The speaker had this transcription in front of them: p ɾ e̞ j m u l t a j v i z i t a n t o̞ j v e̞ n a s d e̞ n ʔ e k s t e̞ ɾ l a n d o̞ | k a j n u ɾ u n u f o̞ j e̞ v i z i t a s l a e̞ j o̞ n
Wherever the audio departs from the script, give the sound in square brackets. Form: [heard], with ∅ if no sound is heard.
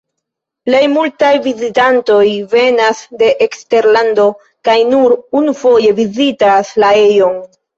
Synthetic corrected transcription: p [l] e̞ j m u l t a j v i z i t a n t o̞ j v e̞ n a s d e̞ [∅] ʔ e k s t e̞ ɾ l a n d o̞ | k a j n u ɾ u n u f o̞ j e̞ v i z i t a s l a e̞ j o̞ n